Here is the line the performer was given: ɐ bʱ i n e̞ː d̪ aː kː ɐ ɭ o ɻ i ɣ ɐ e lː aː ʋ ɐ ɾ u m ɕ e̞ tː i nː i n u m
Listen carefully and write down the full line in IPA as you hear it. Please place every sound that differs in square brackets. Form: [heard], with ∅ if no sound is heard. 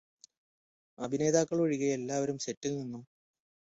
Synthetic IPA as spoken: ɐ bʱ i n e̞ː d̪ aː kː ɐ ɭ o ɻ i ɣ ɐ e lː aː ʋ ɐ ɾ u m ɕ e̞ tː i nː i [nː] u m